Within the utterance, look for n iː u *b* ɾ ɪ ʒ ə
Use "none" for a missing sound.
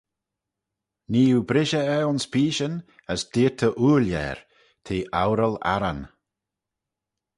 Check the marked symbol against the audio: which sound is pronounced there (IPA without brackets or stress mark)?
b